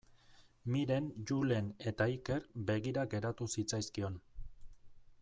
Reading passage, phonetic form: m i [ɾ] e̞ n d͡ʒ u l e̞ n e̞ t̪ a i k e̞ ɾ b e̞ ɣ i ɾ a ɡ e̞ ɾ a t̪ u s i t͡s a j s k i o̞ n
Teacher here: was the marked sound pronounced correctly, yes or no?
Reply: yes